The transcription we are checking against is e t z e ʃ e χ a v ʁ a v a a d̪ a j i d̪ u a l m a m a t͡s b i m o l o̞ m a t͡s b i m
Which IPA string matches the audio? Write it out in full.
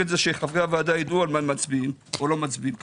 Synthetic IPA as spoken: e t z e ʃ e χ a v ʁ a v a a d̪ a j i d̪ u a l m a m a t͡s b i m o l o̞ m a t͡s b i m